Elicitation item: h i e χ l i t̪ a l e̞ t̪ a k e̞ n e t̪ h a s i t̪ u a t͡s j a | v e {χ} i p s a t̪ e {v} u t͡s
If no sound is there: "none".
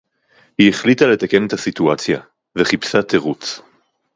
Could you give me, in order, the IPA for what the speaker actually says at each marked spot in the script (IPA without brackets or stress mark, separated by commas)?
χ, ʁ